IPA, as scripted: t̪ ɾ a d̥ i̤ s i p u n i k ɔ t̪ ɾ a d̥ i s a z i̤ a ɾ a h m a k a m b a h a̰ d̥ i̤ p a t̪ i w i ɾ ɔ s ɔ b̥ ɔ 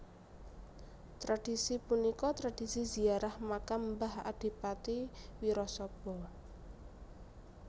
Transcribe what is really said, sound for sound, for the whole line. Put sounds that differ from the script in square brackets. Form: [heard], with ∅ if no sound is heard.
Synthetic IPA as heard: t̪ ɾ a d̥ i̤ s i p u n i k ɔ t̪ ɾ a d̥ i s [i] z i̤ a ɾ a h m a k a m b a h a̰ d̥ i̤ p a t̪ i w i ɾ ɔ s ɔ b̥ ɔ